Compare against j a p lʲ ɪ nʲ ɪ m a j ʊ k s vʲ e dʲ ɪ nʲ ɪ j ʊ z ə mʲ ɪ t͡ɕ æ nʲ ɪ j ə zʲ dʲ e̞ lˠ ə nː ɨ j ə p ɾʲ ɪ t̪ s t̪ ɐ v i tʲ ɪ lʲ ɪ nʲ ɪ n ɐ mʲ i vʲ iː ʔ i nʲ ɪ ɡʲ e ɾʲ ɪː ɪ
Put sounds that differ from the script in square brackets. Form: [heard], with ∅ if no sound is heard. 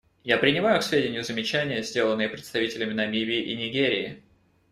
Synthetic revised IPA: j a p [ɾʲ] ɪ nʲ ɪ m a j ʊ k s vʲ e dʲ ɪ nʲ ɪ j ʊ z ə mʲ ɪ t͡ɕ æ nʲ ɪ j ə zʲ dʲ e̞ lˠ ə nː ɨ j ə p ɾʲ ɪ t̪ s t̪ ɐ v i tʲ ɪ lʲ ɪ [mʲ] ɪ n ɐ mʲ i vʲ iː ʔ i nʲ ɪ ɡʲ e ɾʲ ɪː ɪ